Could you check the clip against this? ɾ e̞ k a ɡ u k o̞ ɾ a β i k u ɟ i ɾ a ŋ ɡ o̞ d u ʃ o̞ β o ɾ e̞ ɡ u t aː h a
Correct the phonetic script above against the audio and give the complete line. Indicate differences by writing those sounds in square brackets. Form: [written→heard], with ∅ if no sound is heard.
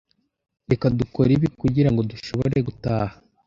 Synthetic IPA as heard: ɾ e̞ k a [ɡ→d] u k o̞ ɾ [a→i] β i k u ɟ i ɾ a ŋ ɡ o̞ d u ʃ o̞ β o ɾ e̞ ɡ u t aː h a